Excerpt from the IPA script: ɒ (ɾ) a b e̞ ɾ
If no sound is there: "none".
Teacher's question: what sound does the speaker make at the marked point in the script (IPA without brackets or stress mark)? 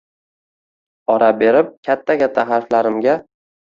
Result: ɾ